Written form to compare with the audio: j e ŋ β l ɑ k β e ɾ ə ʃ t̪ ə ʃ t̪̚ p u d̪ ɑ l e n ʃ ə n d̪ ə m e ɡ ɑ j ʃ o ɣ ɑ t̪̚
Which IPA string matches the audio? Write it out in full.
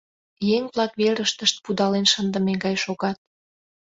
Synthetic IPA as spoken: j e ŋ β l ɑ k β e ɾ ə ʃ t̪ ə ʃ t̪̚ p u d̪ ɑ l e n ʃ ə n d̪ ə m e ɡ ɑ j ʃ o ɣ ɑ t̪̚